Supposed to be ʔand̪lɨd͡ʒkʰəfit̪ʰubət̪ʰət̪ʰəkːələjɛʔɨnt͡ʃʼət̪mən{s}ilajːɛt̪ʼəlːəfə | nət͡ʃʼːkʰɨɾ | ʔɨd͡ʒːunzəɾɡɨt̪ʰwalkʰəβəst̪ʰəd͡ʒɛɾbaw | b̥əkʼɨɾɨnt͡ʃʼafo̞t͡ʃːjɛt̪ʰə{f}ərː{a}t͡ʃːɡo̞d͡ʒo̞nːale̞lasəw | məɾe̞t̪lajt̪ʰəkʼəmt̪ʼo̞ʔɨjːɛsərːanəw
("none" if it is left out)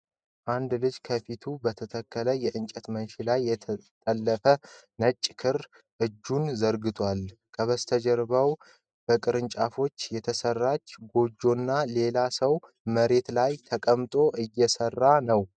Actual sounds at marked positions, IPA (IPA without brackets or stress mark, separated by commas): ʃ, s, a